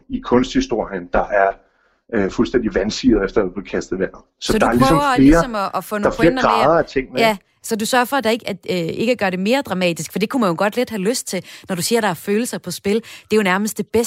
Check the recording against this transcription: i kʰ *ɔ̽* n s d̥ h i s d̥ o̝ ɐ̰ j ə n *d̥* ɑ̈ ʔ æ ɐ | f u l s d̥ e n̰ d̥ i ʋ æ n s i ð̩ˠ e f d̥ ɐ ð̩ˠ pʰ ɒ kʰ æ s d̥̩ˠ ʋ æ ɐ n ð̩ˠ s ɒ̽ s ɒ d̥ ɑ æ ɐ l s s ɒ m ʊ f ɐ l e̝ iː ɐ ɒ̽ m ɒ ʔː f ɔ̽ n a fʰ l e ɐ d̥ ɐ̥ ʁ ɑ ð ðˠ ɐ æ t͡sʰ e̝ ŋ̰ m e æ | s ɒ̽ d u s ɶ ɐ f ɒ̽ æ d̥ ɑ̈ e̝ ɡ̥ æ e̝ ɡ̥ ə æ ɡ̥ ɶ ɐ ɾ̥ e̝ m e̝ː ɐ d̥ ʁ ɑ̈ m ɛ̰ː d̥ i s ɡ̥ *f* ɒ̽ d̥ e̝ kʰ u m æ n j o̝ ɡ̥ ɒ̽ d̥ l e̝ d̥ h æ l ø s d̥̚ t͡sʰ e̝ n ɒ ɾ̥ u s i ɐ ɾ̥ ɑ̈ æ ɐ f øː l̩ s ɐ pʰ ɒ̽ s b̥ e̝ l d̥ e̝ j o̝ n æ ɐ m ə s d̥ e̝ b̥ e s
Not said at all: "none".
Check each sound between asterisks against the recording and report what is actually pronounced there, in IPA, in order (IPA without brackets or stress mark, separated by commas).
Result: ɔ̽, d̥, f